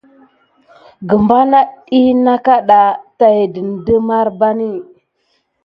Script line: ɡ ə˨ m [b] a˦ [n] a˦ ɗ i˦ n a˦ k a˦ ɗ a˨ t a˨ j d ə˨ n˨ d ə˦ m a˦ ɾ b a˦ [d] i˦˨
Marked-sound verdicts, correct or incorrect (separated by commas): correct, correct, incorrect